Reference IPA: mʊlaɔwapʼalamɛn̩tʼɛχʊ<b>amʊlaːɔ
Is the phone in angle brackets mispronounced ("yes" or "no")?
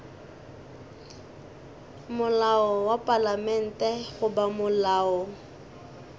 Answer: no